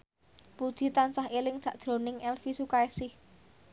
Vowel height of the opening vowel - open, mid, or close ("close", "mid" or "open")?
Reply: close